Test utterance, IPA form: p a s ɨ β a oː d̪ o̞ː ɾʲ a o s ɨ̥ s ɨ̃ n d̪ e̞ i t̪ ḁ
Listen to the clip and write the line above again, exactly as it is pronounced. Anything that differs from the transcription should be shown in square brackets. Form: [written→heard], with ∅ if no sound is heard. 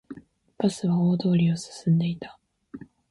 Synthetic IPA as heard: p a s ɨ β a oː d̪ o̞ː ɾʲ [a→i] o s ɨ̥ s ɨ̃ n d̪ e̞ i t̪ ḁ

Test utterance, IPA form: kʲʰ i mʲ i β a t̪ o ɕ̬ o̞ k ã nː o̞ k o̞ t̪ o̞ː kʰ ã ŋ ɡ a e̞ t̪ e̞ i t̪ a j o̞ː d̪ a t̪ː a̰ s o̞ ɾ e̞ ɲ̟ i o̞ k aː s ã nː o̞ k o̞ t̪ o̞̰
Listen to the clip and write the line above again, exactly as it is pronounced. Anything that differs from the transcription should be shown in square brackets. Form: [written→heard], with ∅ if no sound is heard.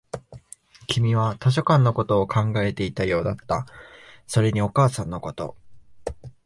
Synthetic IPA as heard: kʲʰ i mʲ i β a t̪ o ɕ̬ o̞ k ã nː o̞ k o̞ t̪ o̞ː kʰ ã ŋ ɡ a e̞ t̪ e̞ i t̪ a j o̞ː d̪ a t̪ː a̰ s o̞ ɾ e̞ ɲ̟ i o̞ k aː s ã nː o̞ k o̞ t̪ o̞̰

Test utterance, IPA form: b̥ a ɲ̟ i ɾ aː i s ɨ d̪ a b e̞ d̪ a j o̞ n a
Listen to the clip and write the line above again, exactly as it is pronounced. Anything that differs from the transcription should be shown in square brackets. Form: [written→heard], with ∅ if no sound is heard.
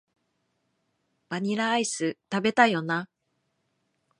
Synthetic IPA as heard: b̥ a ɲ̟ i ɾ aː i s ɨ [d̪→t̪] a b e̞ [d̪→t̪] a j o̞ n a

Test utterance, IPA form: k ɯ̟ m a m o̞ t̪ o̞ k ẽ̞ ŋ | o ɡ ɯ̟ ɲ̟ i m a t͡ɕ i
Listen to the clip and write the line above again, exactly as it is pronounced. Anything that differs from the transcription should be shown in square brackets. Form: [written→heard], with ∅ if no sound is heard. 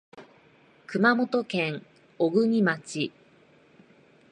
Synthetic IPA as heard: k ɯ̟ m a m o̞ t̪ o̞ k ẽ̞ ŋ | o ɡ ɯ̟ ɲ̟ i m a t͡ɕ i

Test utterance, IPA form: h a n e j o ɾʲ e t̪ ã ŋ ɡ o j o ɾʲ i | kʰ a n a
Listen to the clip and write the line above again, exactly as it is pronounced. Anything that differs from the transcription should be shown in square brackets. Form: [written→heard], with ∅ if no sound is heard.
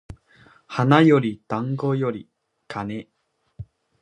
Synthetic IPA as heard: h a n [e→a] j o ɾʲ [e→i] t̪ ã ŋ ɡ o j o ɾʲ i | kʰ a n [a→e]

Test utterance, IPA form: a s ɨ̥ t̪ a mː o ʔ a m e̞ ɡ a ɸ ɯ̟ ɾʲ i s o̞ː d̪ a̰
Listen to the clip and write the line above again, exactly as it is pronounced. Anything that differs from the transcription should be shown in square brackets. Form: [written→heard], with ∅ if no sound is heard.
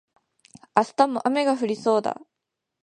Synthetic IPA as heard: a s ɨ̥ t̪ a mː o ʔ a m e̞ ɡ a ɸ ɯ̟ ɾʲ i s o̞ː d̪ a̰

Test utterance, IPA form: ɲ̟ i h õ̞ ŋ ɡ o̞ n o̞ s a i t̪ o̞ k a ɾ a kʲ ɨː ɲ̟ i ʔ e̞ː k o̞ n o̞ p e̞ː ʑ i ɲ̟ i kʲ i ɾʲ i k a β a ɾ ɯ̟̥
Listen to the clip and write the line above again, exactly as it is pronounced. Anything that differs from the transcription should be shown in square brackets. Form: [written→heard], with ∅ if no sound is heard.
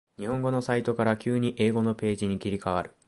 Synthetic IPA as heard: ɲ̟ i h õ̞ ŋ ɡ o̞ n o̞ s a i t̪ o̞ k a ɾ a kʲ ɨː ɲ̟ i ʔ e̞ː [k→ɡ] o̞ n o̞ p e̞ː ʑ i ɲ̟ i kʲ i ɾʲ i k a β a ɾ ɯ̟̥

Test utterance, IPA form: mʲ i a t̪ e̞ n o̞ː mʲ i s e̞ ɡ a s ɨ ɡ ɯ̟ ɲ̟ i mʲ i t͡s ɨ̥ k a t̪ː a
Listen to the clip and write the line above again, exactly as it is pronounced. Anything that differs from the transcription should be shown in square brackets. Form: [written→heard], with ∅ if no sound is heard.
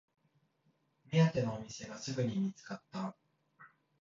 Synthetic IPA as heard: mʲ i a t̪ e̞ n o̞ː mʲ i s e̞ ɡ a s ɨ ɡ ɯ̟ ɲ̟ i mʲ i t͡s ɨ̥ k a t̪ː a

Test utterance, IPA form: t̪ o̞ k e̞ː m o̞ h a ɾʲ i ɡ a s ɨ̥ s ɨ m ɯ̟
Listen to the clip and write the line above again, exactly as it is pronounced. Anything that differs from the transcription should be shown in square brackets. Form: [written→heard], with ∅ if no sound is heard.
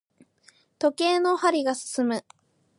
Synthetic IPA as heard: t̪ o̞ k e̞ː [m→n] o̞ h a ɾʲ i ɡ a s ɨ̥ s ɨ m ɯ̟

